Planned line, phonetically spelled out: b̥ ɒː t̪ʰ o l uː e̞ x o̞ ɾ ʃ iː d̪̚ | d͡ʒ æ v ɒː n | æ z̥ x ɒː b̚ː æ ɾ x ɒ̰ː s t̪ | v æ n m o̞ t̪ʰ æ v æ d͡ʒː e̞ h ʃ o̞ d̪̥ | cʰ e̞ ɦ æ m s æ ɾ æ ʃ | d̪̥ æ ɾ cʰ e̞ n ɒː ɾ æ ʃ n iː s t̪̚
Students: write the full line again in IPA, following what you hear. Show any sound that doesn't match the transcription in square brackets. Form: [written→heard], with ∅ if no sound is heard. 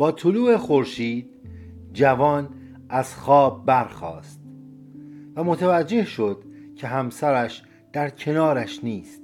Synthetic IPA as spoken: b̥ ɒː t̪ʰ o l uː e̞ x o̞ ɾ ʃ iː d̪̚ | d͡ʒ æ v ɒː n | æ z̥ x ɒː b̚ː æ ɾ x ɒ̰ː s t̪ | v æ [n→∅] m o̞ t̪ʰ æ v æ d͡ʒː e̞ h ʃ o̞ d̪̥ | cʰ e̞ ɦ æ m s æ ɾ æ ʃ | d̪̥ æ ɾ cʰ e̞ n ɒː ɾ æ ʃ n iː s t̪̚